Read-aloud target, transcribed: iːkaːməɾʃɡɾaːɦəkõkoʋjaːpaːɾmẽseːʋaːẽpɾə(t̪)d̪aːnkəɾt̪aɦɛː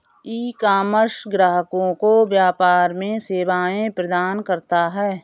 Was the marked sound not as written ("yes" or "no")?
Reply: yes